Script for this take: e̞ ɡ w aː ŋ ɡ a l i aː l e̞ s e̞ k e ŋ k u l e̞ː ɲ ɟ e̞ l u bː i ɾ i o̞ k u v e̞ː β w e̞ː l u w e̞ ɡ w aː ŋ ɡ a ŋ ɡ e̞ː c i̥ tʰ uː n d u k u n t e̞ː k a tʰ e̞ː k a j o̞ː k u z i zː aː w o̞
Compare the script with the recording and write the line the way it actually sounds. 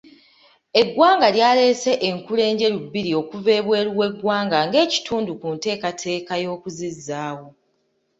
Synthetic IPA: e̞ ɡ w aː ŋ ɡ a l j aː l e̞ s e̞ ʔ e ŋ k u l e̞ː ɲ ɟ e̞ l u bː i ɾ i o̞ k u v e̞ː β w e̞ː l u w e̞ ɡ w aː ŋ ɡ a ŋ ɡ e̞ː c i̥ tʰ uː n d u k u n t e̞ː k a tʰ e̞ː k a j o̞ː k u z i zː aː w o̞